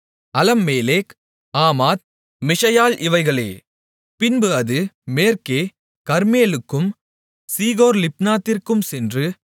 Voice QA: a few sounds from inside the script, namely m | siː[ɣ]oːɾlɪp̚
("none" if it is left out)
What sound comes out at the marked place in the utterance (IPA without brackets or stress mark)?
ɣ